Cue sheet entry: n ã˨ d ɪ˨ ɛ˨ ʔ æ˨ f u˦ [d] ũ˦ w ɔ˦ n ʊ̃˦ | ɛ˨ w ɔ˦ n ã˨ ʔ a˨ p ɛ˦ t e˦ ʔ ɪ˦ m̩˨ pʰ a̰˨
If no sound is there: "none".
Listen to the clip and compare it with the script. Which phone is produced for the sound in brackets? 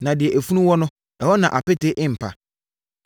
n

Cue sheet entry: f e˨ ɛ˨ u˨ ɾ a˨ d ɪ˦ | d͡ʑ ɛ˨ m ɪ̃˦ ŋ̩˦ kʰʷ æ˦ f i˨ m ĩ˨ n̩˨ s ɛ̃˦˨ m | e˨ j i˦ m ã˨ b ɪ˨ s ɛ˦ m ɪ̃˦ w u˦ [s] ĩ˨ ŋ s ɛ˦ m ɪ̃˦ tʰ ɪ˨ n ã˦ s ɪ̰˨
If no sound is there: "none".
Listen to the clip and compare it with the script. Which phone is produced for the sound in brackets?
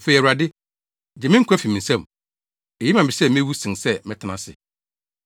s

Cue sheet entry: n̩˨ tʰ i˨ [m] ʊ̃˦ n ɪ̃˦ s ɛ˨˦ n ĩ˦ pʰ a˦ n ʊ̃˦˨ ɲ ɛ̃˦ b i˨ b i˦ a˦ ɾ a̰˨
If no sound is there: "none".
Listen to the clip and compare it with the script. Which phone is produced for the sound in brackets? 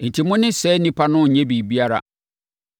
m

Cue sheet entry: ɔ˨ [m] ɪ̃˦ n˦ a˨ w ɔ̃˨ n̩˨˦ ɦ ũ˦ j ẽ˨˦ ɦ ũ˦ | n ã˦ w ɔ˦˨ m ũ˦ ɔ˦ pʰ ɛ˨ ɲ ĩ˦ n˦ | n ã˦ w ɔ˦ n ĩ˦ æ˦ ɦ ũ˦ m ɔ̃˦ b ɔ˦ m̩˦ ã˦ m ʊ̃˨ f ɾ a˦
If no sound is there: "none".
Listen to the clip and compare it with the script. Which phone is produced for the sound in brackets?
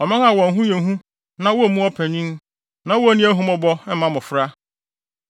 m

